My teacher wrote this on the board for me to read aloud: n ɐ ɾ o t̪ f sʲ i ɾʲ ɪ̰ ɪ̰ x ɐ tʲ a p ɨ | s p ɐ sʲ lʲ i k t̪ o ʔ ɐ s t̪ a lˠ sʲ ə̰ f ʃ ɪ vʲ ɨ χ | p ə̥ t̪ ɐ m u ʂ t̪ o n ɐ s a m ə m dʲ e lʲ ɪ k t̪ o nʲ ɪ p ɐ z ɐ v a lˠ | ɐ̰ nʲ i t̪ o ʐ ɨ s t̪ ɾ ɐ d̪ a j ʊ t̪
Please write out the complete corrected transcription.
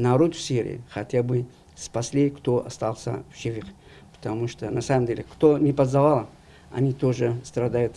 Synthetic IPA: n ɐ ɾ o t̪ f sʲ i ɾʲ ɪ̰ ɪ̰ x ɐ tʲ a b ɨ | s p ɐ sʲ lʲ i k t̪ o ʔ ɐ s t̪ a lˠ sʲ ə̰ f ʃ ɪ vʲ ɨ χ | p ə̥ t̪ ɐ m u ʂ t̪ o n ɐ s a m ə m dʲ e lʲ ɪ k t̪ o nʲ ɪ p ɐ z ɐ v a lˠ | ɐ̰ nʲ i t̪ o ʐ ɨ s t̪ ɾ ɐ d̪ a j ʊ t̪